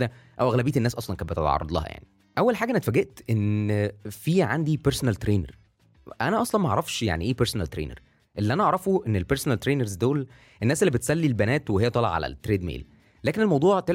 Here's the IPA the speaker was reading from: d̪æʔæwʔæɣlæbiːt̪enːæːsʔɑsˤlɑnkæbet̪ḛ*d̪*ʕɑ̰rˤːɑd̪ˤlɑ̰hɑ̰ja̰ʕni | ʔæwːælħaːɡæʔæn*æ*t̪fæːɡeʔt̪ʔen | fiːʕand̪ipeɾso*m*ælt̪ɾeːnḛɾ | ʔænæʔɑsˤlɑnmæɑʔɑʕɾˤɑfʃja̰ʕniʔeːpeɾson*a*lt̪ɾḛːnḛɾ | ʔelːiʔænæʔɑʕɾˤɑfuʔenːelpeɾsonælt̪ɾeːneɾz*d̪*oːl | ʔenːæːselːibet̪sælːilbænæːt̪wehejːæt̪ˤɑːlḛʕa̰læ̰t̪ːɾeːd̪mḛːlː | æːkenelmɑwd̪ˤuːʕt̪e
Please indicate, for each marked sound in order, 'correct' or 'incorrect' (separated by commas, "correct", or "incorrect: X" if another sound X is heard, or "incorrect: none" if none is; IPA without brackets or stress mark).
incorrect: t̪, correct, incorrect: n, incorrect: æ, correct